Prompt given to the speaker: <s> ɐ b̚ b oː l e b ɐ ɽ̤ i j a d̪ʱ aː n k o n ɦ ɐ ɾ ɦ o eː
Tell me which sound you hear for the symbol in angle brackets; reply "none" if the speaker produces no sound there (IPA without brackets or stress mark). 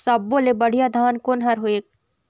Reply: s